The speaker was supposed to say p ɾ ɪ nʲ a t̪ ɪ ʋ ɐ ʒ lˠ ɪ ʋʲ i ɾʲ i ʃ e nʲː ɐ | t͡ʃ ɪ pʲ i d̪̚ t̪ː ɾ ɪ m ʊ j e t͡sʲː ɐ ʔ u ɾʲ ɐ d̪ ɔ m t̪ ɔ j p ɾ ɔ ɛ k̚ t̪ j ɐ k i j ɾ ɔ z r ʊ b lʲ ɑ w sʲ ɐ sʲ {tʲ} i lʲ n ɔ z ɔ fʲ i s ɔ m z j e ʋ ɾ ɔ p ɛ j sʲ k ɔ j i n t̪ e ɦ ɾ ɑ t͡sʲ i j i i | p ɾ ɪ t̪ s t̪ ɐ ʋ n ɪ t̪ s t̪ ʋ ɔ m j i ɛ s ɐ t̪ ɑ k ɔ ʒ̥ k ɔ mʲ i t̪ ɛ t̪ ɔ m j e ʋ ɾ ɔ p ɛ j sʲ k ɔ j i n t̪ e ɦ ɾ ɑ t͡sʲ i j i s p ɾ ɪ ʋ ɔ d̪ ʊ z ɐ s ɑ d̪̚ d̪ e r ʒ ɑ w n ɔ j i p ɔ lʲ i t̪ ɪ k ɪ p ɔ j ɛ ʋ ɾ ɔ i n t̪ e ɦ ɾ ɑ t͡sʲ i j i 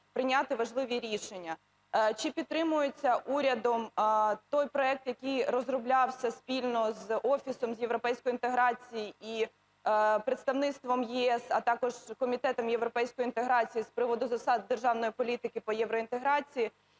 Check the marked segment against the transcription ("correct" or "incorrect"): incorrect